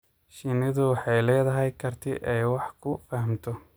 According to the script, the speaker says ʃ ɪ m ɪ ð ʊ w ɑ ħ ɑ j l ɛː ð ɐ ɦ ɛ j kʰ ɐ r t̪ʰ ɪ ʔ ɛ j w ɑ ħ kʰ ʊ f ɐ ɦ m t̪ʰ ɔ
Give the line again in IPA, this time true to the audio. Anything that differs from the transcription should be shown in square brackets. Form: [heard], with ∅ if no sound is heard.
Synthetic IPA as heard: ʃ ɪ [n] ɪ ð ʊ w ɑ ħ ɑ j l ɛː ð ɐ ɦ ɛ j kʰ ɐ r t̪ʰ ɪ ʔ ɛ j w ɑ ħ kʰ ʊ f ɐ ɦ m t̪ʰ ɔ